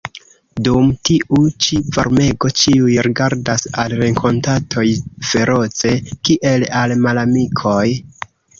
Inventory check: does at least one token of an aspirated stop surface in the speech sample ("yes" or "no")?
yes